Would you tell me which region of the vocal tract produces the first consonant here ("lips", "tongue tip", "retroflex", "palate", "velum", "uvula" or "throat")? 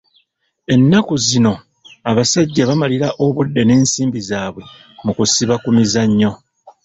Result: tongue tip